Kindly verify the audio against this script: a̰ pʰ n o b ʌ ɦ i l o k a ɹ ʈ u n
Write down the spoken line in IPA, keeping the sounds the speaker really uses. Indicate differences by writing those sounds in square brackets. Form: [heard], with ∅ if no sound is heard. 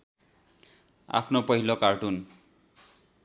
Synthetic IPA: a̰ pʰ n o [p] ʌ ɦ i l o k a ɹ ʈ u n